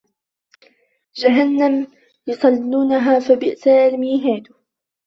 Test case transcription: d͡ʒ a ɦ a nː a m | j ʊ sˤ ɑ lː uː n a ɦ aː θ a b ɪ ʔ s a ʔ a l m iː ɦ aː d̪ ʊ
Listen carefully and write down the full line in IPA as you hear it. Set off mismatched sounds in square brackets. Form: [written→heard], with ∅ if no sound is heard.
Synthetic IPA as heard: d͡ʒ a ɦ a nː a m | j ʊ sˤ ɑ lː uː n a ɦ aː [θ→f] a b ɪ ʔ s a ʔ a l m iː ɦ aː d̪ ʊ